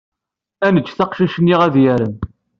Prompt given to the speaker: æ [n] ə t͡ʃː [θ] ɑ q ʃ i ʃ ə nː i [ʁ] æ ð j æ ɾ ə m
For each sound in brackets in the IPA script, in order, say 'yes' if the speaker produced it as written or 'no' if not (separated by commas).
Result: yes, yes, yes